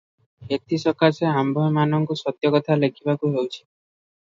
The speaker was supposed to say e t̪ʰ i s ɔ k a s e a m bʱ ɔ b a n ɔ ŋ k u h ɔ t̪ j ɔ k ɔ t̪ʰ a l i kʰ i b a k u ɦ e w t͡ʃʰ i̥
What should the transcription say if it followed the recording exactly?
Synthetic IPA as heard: e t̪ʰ i s ɔ k a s e a m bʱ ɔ m a n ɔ ŋ k u s ɔ t̪ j ɔ k ɔ t̪ʰ a l e kʰ i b a k u ɦ e w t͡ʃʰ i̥

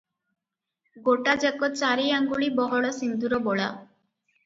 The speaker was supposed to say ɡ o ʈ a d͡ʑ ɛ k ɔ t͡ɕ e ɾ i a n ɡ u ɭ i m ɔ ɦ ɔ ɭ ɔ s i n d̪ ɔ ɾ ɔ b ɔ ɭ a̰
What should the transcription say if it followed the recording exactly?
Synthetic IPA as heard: ɡ o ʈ a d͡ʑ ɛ k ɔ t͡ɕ a ɾ i a ŋ ɡ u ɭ i b ɔ ɦ ɔ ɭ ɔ s i n d̪ u ɾ ɔ b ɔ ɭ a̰

